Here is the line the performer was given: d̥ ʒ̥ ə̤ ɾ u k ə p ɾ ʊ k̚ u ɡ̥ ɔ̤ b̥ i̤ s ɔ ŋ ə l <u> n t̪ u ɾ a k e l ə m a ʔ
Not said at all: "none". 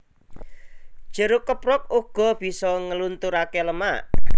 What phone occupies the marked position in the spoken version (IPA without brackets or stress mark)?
u